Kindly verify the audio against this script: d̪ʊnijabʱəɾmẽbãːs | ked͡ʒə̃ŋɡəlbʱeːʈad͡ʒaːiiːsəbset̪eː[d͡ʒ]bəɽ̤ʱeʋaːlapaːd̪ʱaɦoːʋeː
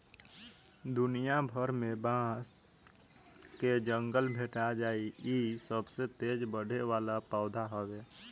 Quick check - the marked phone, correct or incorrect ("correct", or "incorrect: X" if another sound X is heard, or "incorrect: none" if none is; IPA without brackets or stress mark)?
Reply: correct